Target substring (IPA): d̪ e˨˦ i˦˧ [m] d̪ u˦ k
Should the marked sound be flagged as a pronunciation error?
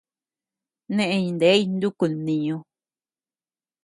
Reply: yes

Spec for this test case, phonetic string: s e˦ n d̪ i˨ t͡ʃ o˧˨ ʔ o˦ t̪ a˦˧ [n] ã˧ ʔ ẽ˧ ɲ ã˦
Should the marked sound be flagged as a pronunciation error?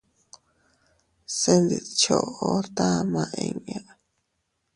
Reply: yes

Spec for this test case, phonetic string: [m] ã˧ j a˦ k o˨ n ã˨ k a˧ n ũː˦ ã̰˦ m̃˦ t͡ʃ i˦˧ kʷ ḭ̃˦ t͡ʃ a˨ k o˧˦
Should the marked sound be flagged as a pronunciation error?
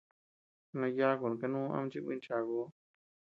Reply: yes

